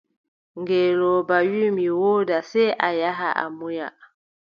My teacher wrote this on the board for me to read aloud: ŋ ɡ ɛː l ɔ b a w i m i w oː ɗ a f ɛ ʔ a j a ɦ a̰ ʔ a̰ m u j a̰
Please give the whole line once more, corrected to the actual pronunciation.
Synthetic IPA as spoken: ŋ ɡ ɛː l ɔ b a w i m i w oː d a s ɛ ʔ a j a ɦ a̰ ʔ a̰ m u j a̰